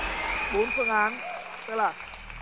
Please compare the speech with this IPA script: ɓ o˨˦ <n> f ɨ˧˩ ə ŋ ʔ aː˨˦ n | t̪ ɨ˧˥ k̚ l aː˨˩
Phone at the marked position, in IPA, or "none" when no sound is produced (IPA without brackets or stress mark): n